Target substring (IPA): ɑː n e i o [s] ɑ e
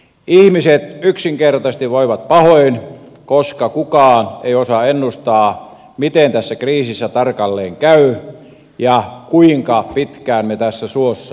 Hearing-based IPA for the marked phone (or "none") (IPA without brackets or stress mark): s